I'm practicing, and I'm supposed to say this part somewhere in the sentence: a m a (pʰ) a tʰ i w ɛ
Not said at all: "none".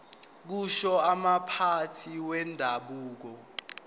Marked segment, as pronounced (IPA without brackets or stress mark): pʰ